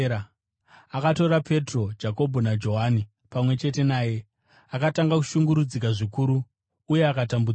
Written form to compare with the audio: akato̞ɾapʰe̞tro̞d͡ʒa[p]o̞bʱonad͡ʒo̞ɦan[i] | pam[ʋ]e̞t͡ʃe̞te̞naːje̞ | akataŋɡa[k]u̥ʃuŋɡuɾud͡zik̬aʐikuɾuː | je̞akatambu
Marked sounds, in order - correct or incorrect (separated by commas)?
incorrect, correct, incorrect, correct